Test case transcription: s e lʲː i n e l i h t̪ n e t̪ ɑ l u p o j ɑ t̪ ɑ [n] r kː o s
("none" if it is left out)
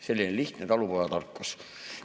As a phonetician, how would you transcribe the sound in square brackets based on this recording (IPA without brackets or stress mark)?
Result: none